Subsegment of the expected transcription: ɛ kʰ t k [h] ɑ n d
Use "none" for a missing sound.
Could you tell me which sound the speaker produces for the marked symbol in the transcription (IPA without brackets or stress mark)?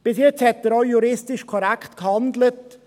h